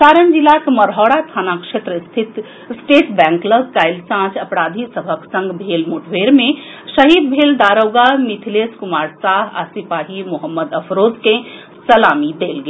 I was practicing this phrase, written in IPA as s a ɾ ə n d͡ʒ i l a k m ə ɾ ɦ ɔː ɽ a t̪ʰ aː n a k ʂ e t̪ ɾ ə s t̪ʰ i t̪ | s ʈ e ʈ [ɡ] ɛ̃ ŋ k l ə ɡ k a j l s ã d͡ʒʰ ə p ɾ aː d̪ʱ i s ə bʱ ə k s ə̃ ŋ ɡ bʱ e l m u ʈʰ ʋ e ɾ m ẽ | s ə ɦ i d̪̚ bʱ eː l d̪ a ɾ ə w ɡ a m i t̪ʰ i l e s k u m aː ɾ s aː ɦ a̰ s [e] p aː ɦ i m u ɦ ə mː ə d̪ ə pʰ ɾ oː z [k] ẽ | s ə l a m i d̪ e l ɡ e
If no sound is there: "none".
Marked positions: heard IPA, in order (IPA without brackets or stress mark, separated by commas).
b, i, k